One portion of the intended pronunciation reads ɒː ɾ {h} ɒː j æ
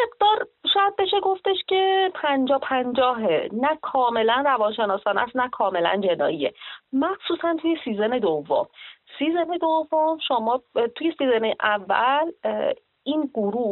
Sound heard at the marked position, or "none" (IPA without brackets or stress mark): ʃ